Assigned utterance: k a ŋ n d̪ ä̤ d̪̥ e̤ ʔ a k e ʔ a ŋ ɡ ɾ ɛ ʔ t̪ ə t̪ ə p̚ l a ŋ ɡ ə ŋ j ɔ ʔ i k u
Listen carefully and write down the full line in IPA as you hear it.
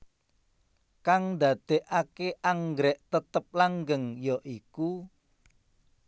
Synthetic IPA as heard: k a ŋ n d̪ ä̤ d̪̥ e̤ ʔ a k e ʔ a ŋ ɡ ɾ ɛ ʔ t̪ ə t̪ ə p̚ l a ŋ ɡ ə ŋ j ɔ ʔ i k u